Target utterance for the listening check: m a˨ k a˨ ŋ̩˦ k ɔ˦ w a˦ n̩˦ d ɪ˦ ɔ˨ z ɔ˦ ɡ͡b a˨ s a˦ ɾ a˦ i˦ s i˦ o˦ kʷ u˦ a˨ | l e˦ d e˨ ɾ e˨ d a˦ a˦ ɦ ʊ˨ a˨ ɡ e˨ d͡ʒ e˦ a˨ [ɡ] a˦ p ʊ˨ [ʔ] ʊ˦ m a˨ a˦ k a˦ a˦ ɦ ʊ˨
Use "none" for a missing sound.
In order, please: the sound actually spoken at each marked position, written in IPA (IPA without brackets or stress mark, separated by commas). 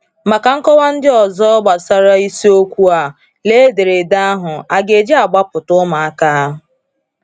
ɡ͡b, t